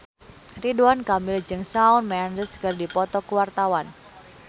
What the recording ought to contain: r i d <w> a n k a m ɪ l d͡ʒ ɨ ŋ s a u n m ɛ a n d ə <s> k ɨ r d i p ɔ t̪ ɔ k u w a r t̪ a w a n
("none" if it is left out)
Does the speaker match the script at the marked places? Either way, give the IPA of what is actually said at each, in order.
u, s

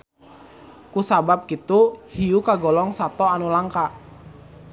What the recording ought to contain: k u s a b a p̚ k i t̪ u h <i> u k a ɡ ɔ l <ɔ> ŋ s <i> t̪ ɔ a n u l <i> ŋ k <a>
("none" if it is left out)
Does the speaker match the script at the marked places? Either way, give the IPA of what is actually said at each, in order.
i, ɔ, a, a, a

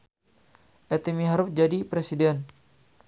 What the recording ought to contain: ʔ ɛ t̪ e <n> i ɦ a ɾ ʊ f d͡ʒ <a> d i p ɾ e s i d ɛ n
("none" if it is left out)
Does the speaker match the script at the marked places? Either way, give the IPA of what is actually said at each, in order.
m, a

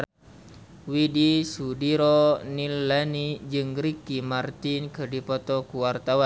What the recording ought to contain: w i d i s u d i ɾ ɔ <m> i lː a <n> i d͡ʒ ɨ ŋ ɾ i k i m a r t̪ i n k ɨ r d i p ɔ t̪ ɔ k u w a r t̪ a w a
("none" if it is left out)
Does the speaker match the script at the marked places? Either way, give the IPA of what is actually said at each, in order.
n, n

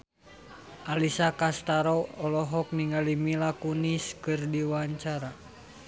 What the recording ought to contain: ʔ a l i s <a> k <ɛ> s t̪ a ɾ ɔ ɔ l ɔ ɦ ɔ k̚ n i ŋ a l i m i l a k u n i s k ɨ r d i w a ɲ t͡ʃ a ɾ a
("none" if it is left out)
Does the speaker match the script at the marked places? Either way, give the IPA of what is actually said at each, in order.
a, a

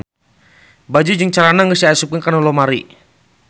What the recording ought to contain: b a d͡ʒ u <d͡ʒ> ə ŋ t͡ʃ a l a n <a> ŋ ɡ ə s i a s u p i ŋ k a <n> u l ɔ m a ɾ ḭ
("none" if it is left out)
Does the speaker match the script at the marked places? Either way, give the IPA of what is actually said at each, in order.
d͡ʒ, a, n

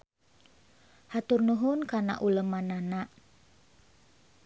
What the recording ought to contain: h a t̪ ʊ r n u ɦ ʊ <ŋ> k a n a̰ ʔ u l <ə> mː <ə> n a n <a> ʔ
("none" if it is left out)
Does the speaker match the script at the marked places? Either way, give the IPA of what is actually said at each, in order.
n, ə, a, a

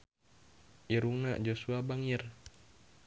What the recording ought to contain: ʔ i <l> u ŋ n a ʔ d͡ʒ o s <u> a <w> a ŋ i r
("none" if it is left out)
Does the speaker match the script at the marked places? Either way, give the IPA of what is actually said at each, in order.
ɾ, u, b

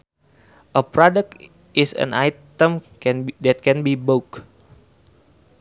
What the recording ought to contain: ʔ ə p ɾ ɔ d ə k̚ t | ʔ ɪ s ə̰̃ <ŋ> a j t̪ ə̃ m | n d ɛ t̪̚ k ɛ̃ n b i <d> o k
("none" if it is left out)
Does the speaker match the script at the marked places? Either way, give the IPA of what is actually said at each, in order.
n, b

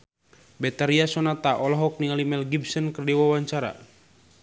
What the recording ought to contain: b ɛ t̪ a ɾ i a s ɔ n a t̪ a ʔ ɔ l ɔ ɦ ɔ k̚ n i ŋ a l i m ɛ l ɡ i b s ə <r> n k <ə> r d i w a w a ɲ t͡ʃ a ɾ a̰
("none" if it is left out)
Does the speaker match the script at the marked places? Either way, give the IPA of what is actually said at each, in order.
none, ə

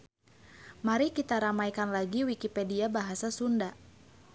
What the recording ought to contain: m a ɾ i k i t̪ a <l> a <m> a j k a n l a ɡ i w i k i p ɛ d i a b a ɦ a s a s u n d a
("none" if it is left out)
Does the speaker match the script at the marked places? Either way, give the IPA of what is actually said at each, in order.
ɾ, m

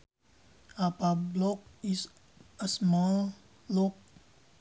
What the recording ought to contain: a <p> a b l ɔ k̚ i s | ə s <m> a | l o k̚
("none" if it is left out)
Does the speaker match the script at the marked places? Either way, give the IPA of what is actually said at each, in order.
p, m

